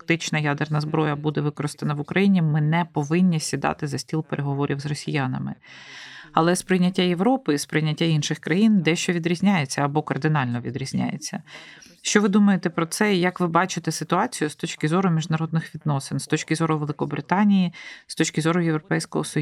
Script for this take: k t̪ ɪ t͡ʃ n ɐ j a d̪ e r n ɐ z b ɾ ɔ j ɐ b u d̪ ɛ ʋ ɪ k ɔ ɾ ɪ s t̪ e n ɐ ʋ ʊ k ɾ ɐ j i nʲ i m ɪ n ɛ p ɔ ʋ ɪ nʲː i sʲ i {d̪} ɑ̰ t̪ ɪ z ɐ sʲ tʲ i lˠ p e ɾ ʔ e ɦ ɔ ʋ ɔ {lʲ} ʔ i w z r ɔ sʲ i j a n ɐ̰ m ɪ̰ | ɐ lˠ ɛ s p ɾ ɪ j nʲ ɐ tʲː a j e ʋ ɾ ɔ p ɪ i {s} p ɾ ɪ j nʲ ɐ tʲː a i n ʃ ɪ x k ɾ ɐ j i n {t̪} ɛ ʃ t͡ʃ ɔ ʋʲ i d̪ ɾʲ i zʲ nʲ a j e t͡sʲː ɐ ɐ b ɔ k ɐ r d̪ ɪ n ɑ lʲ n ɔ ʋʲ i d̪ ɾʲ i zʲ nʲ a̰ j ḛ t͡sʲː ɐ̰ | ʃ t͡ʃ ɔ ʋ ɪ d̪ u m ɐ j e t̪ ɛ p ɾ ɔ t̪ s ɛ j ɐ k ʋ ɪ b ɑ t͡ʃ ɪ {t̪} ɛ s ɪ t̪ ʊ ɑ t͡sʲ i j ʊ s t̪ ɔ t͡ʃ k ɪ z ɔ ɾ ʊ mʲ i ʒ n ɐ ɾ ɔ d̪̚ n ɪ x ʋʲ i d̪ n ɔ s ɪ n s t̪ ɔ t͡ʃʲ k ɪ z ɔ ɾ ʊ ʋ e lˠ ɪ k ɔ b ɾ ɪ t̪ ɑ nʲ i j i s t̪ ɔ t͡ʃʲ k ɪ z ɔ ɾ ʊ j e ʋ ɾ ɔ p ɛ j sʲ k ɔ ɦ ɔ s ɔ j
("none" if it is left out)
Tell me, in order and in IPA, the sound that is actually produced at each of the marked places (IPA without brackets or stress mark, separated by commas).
d̪, ɾʲ, s, d̪, t̪